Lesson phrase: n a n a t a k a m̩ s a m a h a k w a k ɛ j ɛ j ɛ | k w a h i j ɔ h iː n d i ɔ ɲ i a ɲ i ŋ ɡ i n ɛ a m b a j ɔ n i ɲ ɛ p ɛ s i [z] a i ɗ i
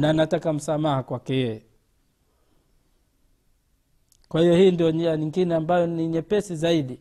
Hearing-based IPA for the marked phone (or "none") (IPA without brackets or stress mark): z